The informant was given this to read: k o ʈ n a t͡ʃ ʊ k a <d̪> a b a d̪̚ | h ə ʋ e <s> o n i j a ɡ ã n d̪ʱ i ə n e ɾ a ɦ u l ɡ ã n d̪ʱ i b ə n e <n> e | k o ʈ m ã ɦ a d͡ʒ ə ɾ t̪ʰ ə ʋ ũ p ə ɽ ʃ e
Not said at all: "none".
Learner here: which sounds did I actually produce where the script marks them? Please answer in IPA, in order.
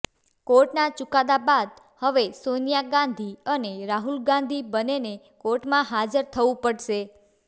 d̪, s, n

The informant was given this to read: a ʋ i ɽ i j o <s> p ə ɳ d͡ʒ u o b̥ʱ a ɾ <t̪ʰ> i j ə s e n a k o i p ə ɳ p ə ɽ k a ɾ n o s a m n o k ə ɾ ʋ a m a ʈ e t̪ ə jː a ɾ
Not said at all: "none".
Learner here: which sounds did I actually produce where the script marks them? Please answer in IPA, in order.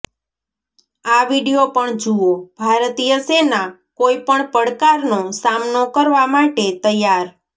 none, t̪

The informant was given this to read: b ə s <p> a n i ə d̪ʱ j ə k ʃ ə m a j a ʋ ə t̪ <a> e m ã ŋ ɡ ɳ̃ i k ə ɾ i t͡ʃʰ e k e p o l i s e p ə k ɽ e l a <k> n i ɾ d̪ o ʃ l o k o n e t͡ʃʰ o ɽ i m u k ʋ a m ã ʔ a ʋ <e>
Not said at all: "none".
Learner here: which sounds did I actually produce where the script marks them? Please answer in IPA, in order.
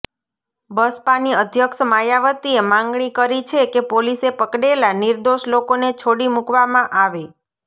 p, i, none, e

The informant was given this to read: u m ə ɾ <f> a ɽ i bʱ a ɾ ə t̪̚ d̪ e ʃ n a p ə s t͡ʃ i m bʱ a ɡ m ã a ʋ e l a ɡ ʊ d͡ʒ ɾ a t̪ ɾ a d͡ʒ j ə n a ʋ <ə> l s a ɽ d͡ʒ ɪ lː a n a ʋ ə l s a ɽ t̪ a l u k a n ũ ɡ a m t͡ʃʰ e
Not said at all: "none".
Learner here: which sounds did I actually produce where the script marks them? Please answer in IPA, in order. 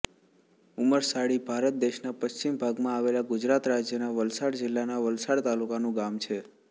s, ə

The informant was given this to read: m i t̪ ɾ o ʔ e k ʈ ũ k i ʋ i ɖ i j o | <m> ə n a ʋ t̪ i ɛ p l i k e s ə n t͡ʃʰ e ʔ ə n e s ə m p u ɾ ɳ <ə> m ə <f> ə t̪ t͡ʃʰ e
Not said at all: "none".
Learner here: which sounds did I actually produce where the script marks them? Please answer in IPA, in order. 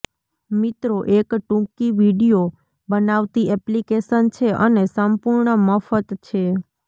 b, ə, f

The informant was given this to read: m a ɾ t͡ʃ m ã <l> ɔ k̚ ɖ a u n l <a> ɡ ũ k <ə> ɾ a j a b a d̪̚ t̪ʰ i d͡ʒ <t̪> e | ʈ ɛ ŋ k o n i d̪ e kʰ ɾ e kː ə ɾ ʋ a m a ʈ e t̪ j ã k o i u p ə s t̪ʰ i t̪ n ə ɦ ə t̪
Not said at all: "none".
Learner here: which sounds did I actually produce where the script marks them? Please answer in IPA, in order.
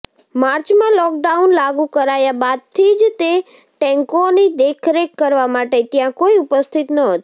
l, a, ə, t̪

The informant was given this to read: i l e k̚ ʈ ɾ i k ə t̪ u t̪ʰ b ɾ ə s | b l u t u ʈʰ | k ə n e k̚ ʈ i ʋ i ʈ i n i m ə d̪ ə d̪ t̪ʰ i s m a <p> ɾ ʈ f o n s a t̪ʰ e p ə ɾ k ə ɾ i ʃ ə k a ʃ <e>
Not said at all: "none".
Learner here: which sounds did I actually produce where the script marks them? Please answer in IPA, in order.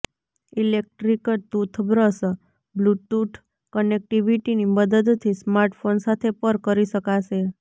none, e

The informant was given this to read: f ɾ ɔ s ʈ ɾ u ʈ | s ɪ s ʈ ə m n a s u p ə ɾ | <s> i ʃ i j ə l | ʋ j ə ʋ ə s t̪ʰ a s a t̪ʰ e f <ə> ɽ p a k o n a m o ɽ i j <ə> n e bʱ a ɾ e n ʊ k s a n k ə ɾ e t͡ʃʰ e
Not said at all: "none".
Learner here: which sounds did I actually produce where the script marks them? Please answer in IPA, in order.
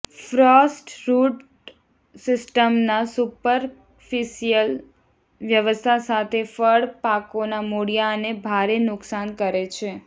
f, ə, a

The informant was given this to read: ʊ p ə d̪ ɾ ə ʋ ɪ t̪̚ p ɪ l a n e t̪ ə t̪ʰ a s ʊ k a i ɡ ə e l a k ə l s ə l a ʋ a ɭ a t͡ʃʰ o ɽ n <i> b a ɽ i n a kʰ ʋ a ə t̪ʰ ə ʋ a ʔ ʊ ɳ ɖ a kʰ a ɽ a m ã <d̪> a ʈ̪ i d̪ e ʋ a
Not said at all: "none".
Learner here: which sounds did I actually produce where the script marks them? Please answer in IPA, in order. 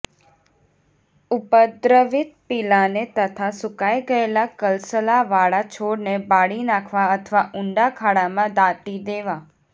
e, d̪

